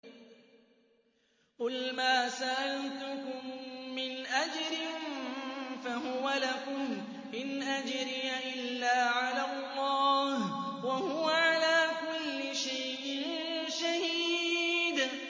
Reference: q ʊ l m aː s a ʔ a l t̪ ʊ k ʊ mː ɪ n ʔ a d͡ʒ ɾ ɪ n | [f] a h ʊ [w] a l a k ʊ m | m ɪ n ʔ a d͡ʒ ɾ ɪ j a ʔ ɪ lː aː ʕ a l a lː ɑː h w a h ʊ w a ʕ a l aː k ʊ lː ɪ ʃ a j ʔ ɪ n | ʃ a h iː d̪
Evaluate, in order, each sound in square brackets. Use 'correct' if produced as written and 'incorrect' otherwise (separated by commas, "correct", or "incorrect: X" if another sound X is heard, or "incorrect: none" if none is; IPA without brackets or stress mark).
correct, correct